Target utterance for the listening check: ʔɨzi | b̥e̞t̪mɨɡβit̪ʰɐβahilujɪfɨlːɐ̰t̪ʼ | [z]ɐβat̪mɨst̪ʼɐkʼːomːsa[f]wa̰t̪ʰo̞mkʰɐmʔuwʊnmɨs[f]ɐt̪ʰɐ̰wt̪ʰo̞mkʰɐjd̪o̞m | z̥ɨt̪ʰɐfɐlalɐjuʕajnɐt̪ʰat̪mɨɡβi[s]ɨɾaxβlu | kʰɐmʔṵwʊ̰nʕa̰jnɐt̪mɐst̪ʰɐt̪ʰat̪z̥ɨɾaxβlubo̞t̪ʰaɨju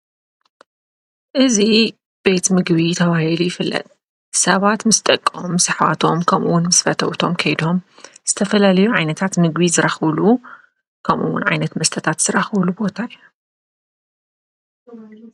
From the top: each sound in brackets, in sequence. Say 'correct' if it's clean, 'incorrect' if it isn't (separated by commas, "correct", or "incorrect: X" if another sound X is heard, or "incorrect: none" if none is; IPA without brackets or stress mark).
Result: incorrect: s, incorrect: ħ, correct, incorrect: z